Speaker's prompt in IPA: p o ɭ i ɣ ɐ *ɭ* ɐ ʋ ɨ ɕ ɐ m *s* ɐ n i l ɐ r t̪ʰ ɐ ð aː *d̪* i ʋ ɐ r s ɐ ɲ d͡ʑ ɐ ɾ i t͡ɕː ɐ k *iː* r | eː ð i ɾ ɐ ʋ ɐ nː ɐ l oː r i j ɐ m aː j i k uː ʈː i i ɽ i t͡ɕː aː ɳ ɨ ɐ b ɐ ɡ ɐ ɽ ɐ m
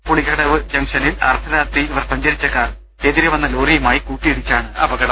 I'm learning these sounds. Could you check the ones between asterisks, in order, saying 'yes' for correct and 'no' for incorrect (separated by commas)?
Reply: no, no, no, no